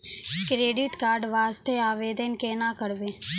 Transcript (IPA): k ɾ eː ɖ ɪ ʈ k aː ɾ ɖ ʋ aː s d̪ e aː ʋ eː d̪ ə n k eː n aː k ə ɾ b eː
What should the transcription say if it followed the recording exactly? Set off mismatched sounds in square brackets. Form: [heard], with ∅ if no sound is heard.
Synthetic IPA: k ɾ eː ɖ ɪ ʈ k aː ɾ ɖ ʋ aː s [t̪] e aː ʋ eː d̪ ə n k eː n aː k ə ɾ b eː

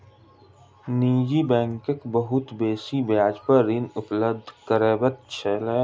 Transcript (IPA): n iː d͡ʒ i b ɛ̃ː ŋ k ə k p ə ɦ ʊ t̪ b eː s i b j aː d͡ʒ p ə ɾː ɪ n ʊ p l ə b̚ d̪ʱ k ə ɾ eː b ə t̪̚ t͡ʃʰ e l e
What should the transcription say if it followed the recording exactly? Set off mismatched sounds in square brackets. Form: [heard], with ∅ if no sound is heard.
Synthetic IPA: n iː d͡ʒ i b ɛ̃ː ŋ k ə k [b] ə ɦ ʊ t̪ b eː s i b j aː d͡ʒ p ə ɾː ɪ n ʊ p l ə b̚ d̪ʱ k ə ɾ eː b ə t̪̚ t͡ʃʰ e l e

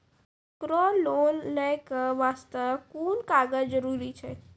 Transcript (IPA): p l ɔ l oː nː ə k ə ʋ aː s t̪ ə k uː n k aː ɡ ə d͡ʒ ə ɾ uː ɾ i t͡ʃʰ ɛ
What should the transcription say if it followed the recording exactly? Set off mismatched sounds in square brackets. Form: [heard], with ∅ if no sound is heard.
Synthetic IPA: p [ɾ] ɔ l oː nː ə k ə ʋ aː s t̪ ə k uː n k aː ɡ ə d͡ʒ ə ɾ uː ɾ i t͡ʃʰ ɛ

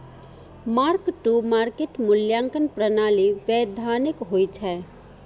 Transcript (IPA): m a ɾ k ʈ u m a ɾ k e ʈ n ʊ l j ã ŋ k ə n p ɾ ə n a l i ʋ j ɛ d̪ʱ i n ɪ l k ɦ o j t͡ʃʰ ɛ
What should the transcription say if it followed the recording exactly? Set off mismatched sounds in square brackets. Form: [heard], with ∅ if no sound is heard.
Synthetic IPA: m a ɾ k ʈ u m a ɾ k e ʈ [m] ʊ l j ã ŋ k ə n p ɾ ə n a l i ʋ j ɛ d̪ʱ [a] n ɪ [∅] k ɦ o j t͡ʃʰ ɛ

